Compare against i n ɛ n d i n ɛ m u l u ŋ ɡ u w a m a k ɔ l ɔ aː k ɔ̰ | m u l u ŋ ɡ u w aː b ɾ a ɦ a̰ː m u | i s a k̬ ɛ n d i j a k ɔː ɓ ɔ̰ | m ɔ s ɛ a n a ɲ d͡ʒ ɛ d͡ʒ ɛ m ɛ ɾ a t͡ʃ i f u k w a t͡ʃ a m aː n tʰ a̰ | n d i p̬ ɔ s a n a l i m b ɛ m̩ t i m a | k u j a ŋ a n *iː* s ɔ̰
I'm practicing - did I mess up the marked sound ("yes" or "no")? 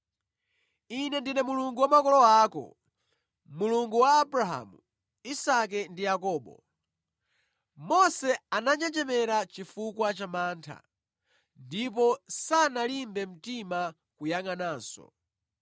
yes